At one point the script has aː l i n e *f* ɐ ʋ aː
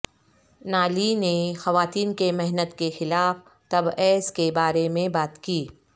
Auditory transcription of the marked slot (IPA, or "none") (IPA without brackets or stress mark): x